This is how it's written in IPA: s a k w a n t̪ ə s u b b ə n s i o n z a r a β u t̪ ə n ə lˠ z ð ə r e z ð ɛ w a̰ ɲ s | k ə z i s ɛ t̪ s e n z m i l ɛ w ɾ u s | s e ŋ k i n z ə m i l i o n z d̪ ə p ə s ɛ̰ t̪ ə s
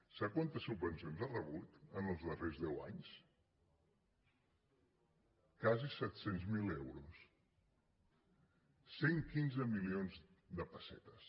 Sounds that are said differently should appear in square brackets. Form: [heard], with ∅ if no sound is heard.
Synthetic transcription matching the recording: s a k w a n t̪ ə s u b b ə n s i o n z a r [ə] β u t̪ ə n ə lˠ z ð ə r e z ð ɛ w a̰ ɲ s | k [a] z i s ɛ t̪ s e n z m i l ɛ w ɾ u s | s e ŋ k i n z ə m i l i o n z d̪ ə p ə s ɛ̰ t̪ ə s